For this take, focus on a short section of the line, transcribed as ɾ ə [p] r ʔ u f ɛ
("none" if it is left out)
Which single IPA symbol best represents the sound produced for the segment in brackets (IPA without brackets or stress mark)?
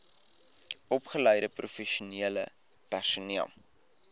p